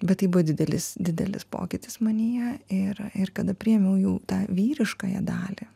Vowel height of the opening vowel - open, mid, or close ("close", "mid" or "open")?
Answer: mid